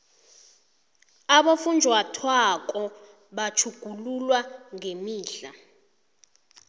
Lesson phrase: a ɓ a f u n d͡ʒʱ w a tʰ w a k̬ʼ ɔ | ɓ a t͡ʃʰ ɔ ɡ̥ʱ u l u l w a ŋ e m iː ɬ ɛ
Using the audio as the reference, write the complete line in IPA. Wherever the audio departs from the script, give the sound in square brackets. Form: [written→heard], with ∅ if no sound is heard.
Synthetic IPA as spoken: a ɓ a f u n d͡ʒʱ w a tʰ w a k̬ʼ ɔ | ɓ a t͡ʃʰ [ɔ→u] ɡ̥ʱ u l u l w a ŋ e m iː ɬ [ɛ→a]

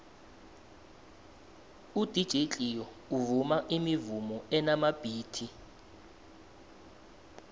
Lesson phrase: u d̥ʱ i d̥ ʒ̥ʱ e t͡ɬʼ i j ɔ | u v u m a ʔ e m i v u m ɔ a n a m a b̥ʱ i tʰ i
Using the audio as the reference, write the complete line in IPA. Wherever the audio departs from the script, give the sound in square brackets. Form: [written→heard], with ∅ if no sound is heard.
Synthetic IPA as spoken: u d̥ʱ i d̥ ʒ̥ʱ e t͡ɬʼ i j ɔ | u v u m a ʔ [e→i] m i v u m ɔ [a→ɛ] n a m a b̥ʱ [i→iː] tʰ i

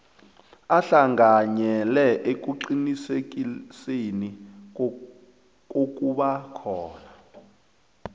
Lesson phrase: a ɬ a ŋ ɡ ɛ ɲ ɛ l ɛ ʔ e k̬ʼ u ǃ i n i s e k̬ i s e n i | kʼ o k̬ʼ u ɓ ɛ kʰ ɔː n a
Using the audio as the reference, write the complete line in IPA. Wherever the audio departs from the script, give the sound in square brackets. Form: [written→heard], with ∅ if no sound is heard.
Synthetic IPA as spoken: a ɬ a ŋ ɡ [ɛ→a] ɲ ɛ l ɛ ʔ e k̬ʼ u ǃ i n i s e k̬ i s e n i | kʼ o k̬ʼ u ɓ [ɛ→a] kʰ ɔː n a

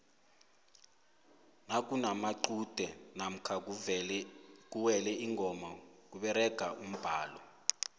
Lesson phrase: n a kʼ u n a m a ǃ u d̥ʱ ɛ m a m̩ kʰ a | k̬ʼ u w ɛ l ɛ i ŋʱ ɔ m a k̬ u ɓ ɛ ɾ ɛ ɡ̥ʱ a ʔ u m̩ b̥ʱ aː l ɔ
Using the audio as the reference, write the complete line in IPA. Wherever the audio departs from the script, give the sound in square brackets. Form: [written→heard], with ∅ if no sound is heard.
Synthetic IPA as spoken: n a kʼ u n a m a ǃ u d̥ʱ ɛ [m→n] a m̩ kʰ a | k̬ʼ u w ɛ l ɛ i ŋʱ ɔ m a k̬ u ɓ ɛ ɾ ɛ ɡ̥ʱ a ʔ u m̩ b̥ʱ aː l ɔ

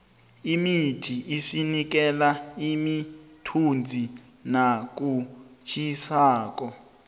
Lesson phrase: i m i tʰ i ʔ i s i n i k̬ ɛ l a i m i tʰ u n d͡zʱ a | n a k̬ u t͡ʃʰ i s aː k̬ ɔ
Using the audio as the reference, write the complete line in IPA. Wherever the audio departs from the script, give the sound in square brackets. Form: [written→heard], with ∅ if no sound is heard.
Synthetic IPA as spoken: i m i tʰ i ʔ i s i n i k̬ ɛ l a i m i tʰ u n d͡zʱ [a→i] | n a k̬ u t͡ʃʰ i s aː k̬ ɔ

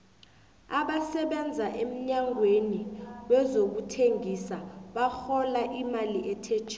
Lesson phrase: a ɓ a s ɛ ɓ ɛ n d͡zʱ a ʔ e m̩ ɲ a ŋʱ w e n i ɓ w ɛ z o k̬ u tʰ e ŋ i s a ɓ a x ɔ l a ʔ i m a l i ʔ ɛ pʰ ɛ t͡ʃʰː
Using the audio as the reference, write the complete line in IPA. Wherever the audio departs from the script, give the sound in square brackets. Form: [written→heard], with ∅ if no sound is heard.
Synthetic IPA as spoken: a ɓ a s ɛ ɓ ɛ n d͡zʱ a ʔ e m̩ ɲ a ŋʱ w e n i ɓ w ɛ z o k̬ u tʰ e ŋ i s a ɓ a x ɔ l a ʔ i m a l i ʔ ɛ [pʰ→tʰ] ɛ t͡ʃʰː

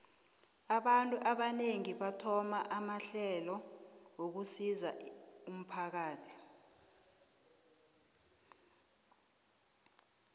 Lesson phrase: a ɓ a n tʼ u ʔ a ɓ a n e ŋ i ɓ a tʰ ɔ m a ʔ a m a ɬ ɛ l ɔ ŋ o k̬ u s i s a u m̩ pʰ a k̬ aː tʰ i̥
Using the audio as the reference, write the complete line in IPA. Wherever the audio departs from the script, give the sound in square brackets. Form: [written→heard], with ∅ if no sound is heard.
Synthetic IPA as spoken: a ɓ a n tʼ u ʔ a ɓ a n e ŋ i ɓ a tʰ ɔ m a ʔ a m a ɬ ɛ l ɔ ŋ o k̬ u s i [s→z] a u m̩ pʰ a k̬ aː tʰ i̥

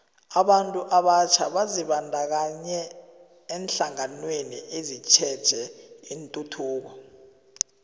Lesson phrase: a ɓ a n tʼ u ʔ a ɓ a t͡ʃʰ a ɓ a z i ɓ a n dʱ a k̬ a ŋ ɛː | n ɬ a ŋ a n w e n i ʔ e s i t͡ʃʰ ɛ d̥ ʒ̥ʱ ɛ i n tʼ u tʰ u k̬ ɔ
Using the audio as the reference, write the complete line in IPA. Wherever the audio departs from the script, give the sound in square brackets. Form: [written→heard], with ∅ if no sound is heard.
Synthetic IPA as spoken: a ɓ a n tʼ u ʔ a ɓ a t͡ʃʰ a ɓ a z i ɓ a n dʱ a k̬ a [ŋ→ɲ] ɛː | n ɬ a ŋ a n w e n i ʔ e [s→z] i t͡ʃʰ ɛ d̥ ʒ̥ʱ ɛ i n tʼ u tʰ [u→uː] k̬ ɔ

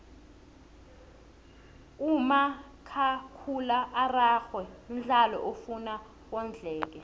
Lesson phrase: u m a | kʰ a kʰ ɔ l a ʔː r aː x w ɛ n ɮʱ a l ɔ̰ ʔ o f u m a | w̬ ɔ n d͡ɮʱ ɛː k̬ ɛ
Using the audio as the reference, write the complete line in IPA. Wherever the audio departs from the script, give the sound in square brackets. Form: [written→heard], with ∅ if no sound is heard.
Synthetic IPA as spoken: u m a | kʰ a kʰ [ɔ→u] l a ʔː r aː x w ɛ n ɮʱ a l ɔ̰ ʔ o f u [m→n] a | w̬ ɔ n d͡ɮʱ ɛː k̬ ɛ

